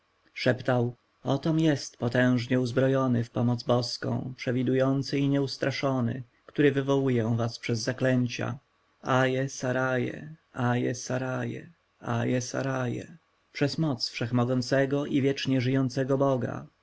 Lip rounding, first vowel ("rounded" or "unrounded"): unrounded